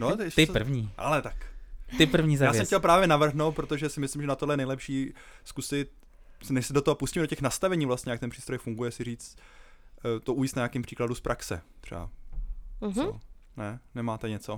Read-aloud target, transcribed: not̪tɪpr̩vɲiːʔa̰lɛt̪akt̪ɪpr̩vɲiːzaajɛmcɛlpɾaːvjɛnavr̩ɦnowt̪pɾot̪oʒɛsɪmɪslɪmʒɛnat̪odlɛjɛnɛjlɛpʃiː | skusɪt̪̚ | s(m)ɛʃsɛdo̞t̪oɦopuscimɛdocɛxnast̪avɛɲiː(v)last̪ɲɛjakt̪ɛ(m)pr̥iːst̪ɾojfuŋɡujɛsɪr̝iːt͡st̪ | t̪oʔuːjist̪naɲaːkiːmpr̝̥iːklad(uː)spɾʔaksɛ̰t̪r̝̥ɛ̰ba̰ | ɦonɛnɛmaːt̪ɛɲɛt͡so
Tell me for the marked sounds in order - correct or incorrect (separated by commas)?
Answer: incorrect, correct, incorrect, incorrect